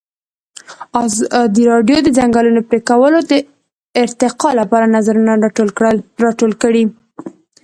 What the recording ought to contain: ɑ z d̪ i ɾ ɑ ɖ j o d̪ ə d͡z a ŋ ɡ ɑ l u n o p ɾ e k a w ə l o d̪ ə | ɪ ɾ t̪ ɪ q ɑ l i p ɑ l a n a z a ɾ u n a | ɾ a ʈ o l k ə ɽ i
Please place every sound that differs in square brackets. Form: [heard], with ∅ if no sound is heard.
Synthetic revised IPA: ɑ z d̪ i ɾ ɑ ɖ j o d̪ ə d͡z a ŋ ɡ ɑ l u n o p ɾ e k a w ə l o d̪ ə | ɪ ɾ t̪ ɪ q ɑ l [a] p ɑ [ɾ] a n a z a ɾ u n a | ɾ [ɑ] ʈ o l k ə ɽ i

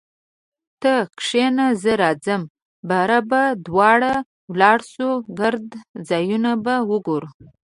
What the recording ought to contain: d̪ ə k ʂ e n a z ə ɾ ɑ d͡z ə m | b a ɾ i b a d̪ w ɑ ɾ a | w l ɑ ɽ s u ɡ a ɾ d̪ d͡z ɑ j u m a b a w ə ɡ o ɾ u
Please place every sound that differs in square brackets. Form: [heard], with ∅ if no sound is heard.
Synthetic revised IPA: [t̪] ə k ʂ e n a z ə ɾ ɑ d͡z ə m | b a ɾ [a] b a d̪ w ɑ [ɽ] a | w l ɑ ɽ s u ɡ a ɾ d̪ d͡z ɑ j u [n] a b a w ə ɡ o ɾ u

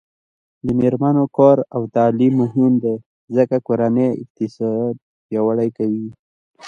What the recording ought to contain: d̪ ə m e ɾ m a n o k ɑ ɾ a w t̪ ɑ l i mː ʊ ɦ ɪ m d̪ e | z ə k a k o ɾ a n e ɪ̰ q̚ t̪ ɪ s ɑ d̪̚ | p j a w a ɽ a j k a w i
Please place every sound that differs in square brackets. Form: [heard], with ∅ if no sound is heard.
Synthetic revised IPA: d̪ ə m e ɾ m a n o k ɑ ɾ a w t̪ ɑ l i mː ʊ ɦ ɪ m d̪ e | z ə k a k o ɾ a n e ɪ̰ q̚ t̪ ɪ s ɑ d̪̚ | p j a w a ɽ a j k a w i

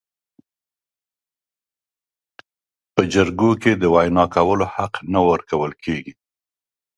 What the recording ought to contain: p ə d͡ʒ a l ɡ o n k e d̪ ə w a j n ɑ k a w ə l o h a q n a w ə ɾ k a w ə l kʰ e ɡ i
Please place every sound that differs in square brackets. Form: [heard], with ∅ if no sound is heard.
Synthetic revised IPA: p ə d͡ʒ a [ɾ] ɡ o [∅] k e d̪ ə w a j n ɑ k a w ə l o h a q n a w ə ɾ k a w ə l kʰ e ɡ i

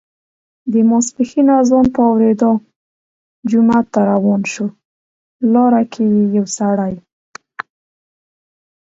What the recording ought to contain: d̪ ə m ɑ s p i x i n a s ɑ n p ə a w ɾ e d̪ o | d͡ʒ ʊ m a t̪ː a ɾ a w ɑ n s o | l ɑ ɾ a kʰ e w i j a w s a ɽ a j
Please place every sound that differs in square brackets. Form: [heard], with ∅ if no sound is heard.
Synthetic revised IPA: d̪ ə m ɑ s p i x i n a [z] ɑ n p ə a w ɾ e d̪ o | d͡ʒ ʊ m a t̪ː a ɾ a w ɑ n [ʃ] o | l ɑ ɾ a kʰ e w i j a w s a ɽ a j

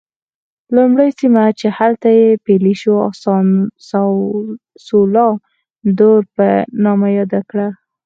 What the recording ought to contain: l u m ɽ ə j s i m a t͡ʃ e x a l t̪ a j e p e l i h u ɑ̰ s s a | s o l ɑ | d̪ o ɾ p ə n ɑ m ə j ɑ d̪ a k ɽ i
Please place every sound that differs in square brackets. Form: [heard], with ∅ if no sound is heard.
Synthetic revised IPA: l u m ɽ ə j s i m a t͡ʃ e [h] a l t̪ a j e p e l i [ʃ] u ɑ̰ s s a | s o l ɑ | d̪ o ɾ p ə n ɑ m [a] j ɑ d̪ a k ɽ [a]

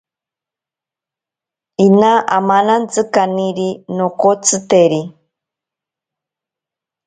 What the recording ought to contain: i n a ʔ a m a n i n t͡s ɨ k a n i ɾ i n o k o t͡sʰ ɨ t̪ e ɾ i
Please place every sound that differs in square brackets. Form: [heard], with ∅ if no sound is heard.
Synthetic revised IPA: i n a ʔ a m a n [a] n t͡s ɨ k a n i ɾ i n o k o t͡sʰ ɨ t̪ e ɾ i

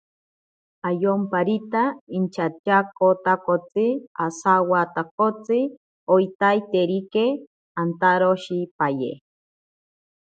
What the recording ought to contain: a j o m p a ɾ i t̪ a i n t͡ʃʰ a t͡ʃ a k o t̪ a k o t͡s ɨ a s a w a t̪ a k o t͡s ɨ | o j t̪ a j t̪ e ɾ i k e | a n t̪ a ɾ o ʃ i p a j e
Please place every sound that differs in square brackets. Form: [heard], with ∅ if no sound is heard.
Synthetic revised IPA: a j o m p a ɾ i t̪ a i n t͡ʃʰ a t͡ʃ a k o t̪ a k o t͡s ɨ a s a w a t̪ a k o t͡s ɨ | o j t̪ a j t̪ e ɾ i k e | a n t̪ a ɾ o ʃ i p a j e

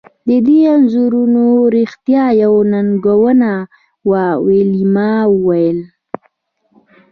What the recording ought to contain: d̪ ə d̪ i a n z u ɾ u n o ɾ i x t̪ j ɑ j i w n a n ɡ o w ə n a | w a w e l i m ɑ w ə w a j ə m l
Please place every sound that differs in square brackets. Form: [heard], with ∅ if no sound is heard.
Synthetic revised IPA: d̪ ə d̪ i a n z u ɾ u n o ɾ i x t̪ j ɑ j [a] w n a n ɡ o w ə n a | w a w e l i m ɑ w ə w a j ə [∅] l

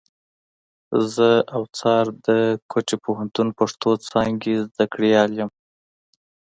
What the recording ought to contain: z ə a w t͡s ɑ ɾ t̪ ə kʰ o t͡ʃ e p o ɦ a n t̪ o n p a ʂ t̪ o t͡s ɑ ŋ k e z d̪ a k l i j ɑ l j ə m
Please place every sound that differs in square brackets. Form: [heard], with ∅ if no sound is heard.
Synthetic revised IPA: z ə a w t͡s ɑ ɾ [d̪] ə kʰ o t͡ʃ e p o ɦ a n t̪ [u] n p a ʂ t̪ o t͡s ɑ ŋ [ɡ] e z d̪ a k [ɽ] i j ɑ l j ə m

